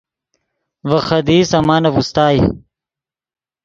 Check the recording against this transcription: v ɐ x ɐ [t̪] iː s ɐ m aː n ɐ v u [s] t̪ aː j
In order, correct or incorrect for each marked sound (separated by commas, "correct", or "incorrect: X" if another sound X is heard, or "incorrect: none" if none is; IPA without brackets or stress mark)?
incorrect: d̪, correct